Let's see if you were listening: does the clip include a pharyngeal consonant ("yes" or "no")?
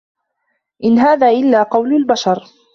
no